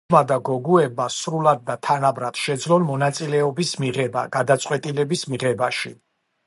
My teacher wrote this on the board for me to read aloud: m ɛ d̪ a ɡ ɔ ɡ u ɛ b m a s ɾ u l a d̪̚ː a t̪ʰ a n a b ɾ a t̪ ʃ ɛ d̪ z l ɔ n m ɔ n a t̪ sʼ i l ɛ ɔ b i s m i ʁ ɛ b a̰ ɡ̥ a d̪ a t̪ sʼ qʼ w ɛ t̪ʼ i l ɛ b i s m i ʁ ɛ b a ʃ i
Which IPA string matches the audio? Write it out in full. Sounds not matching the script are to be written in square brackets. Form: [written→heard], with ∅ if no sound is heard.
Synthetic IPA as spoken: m [ɛ→a] d̪ a ɡ ɔ ɡ u ɛ b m a s ɾ u l a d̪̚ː a t̪ʰ a n a b ɾ a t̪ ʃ ɛ d̪ z l ɔ n m ɔ n a t̪ sʼ i l ɛ ɔ b i s m i ʁ ɛ b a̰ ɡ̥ a d̪ a t̪ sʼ qʼ w ɛ t̪ʼ i l ɛ b i s m i ʁ ɛ b a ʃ i